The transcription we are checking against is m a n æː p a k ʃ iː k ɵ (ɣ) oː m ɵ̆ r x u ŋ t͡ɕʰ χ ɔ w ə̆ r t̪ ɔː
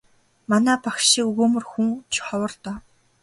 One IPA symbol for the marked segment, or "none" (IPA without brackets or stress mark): ɣ